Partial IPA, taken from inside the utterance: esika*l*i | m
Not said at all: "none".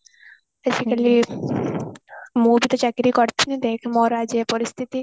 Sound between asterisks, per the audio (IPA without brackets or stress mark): l